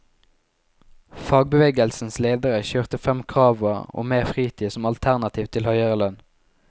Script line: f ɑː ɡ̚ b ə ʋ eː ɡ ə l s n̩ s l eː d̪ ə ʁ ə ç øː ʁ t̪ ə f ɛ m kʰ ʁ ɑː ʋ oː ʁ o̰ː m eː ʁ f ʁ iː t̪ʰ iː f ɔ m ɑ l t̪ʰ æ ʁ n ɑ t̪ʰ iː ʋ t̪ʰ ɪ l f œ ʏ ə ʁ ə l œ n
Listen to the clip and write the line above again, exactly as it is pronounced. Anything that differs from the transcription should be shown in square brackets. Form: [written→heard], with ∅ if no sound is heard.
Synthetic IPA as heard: f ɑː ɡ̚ b ə ʋ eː ɡ ə l s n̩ s l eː d̪ ə ʁ ə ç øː ʁ t̪ ə f ɛ m kʰ ʁ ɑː ʋ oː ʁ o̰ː m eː ʁ f ʁ iː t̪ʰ iː [f→s] ɔ m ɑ l t̪ʰ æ ʁ n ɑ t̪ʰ iː ʋ t̪ʰ ɪ l [f→h] œ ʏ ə ʁ ə l œ n